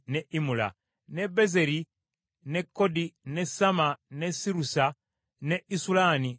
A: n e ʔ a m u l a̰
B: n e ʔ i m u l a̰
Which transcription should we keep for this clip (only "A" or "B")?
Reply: B